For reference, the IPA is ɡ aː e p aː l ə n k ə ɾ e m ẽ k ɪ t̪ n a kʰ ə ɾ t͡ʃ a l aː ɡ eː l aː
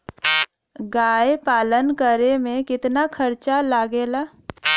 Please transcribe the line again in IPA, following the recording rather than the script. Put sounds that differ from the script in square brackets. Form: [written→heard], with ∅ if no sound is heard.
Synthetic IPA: ɡ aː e p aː l ə n k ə ɾ e m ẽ k ɪ t̪ n a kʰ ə ɾ t͡ʃ a l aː ɡ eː l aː

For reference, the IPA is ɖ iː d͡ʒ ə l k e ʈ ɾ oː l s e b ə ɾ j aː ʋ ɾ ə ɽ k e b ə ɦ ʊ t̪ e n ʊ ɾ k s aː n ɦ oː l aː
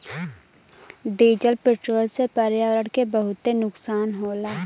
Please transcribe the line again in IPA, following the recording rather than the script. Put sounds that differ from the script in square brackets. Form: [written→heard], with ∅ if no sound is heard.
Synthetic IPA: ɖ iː d͡ʒ ə l [k→p] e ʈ ɾ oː l s e [b→p] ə ɾ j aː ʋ ɾ ə ɽ k e b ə ɦ ʊ t̪ e n ʊ [ɾ→∅] k s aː n ɦ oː l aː

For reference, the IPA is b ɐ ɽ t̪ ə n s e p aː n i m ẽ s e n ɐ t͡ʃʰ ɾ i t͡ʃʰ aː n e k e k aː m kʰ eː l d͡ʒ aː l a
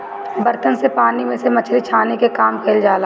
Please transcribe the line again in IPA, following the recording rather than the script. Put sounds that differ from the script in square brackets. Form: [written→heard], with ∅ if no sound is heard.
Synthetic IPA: b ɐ [ɽ→ɾ] t̪ ə n s e p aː n i m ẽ s e [n→m] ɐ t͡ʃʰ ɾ i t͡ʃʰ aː n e k e k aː m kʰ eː l d͡ʒ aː l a

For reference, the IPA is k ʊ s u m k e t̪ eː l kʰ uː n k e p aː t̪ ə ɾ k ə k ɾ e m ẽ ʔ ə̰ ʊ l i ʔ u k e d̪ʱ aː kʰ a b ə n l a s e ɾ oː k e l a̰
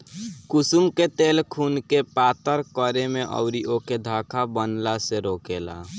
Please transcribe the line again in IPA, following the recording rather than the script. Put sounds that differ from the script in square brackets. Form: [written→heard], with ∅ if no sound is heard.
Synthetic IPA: k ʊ s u m k e t̪ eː l kʰ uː n k e p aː t̪ ə ɾ k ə [k→∅] ɾ e m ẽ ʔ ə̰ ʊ [l→ɾ] i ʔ [u→o] k e d̪ʱ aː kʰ a b ə n l a s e ɾ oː k e l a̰

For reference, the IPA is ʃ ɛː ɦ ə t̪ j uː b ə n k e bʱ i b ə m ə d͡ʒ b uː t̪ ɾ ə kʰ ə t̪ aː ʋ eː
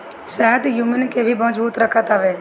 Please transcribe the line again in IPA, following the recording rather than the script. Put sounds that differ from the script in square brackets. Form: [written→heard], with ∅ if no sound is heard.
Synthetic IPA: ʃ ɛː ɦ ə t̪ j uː [b→m] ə n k e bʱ i b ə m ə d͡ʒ b uː t̪ ɾ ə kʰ ə t̪ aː ʋ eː

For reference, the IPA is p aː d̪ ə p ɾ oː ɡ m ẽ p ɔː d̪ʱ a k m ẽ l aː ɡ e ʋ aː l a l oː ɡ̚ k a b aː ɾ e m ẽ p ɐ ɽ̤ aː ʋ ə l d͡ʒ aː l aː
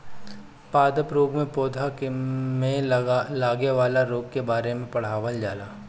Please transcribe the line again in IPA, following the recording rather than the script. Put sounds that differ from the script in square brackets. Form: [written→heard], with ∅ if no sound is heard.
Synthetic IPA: p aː d̪ ə p ɾ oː ɡ m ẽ p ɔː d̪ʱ a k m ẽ l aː ɡ e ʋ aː l a [l→ɾ] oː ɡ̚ k [a→e] b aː ɾ e m ẽ p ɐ ɽ̤ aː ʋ ə l d͡ʒ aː l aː

